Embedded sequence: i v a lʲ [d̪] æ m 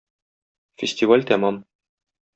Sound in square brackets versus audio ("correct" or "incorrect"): incorrect